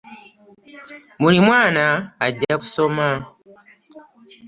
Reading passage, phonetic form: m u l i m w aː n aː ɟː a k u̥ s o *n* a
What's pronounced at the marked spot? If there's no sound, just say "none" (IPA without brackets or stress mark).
m